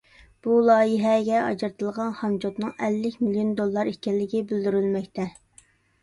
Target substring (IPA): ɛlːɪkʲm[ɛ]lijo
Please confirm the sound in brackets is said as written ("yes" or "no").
no